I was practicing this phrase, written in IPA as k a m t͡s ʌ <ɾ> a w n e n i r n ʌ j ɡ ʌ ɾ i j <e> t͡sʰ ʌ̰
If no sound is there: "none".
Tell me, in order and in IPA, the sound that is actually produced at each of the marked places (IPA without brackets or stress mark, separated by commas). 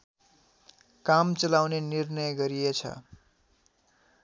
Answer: l, e